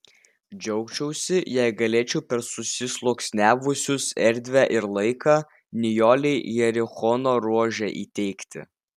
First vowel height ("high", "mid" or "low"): mid